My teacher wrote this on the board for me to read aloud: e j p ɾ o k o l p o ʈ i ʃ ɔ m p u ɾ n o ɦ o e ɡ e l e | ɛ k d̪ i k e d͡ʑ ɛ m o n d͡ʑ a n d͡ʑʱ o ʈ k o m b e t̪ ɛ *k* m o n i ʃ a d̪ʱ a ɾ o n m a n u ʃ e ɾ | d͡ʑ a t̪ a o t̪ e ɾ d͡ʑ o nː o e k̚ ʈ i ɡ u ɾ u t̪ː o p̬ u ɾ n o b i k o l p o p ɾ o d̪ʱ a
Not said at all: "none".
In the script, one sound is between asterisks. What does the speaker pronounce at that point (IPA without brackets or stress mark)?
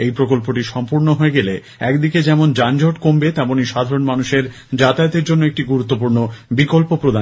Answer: none